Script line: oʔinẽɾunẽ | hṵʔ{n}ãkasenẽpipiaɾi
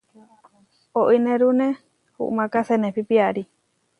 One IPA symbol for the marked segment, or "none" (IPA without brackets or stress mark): m